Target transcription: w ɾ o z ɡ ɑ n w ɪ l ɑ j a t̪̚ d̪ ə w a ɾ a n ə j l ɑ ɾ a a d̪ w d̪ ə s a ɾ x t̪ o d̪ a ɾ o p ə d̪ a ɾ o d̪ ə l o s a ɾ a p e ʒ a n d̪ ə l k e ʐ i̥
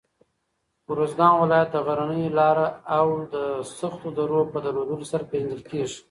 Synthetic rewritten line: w ɾ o z ɡ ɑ n w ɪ l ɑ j a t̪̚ d̪ ə ɣ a ɾ a n ə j l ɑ ɾ a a w d̪ ə s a x t̪ o d̪ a ɾ o p ə d̪ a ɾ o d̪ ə l o s a ɾ a p e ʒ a n d̪ ə l k e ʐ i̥

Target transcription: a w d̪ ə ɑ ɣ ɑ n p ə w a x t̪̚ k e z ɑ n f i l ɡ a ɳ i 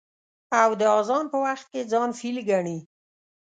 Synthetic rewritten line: a w d̪ ə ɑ z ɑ n p ə w a x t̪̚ k e d͡z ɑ n f i l ɡ a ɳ i

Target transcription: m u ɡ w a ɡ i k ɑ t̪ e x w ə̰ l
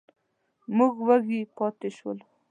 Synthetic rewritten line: m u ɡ w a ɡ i p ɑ t̪ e ʃ w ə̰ l

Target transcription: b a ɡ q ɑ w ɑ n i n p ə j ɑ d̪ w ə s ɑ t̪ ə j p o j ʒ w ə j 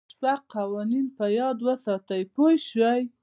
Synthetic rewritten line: p a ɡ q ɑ w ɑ n i n p ə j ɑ d̪ w ə s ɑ t̪ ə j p o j ʃ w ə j

